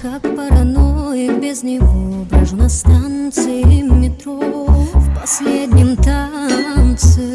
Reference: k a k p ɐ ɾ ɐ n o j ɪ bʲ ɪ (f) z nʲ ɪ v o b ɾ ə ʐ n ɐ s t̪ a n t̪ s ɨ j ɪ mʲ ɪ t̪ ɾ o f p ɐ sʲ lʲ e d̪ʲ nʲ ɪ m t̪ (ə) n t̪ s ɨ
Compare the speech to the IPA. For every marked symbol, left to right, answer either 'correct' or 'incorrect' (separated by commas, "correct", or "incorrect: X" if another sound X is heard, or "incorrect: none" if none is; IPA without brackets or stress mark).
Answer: incorrect: none, incorrect: a